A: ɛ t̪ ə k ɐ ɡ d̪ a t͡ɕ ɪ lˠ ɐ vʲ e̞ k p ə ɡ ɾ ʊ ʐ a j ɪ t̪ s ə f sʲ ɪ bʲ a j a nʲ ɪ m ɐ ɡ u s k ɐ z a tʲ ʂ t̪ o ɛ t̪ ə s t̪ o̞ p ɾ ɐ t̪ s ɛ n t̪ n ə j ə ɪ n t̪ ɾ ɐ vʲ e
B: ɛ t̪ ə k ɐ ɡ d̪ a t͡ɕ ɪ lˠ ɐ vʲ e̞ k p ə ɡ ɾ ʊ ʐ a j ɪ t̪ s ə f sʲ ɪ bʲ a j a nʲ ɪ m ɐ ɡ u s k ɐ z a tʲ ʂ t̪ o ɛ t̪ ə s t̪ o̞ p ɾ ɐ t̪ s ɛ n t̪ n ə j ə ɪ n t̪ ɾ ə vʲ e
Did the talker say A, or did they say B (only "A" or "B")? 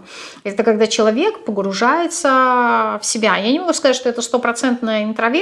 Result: A